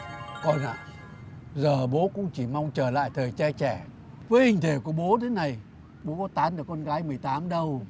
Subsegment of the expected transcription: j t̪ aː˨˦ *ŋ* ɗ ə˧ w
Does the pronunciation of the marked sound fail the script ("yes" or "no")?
yes